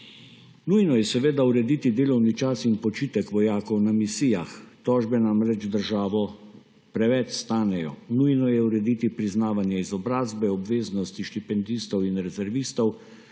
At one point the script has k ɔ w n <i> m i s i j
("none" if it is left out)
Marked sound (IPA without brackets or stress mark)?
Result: a